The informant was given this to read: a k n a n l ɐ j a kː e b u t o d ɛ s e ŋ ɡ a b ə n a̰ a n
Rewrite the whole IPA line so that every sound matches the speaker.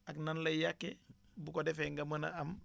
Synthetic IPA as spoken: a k n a n l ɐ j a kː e b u k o d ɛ f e ŋ ɡ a m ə n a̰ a m